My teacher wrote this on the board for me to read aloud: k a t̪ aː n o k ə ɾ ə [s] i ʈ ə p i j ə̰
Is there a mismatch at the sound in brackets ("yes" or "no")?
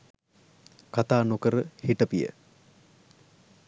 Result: yes